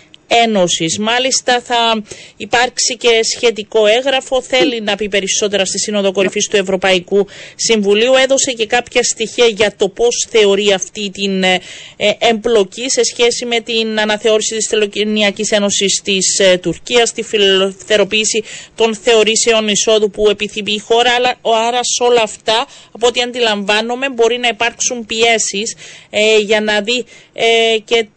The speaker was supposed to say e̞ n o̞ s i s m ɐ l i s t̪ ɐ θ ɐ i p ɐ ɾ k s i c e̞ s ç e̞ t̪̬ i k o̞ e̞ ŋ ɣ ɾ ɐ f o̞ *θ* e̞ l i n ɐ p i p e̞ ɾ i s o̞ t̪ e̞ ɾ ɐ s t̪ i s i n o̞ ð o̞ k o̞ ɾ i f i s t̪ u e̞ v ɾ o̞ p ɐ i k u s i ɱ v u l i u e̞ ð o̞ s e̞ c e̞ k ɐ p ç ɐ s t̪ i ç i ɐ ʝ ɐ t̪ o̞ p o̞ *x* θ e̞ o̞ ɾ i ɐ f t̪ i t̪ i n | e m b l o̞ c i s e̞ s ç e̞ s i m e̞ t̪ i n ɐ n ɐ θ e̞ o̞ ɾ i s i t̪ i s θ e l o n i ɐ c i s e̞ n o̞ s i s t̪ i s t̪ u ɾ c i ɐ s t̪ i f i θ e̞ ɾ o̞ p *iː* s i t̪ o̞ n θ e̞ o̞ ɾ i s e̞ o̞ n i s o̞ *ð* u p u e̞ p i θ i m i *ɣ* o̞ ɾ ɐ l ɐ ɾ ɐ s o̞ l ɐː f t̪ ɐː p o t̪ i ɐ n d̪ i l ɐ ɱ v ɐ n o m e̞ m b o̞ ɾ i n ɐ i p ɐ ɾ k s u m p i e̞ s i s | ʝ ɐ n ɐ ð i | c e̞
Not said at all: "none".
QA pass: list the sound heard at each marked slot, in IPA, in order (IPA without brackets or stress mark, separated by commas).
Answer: θ, s, iː, ð, x